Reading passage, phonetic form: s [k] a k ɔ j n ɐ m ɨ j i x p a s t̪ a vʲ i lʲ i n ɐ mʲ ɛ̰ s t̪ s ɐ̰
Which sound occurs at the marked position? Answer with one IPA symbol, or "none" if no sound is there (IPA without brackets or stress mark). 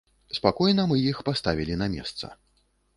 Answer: p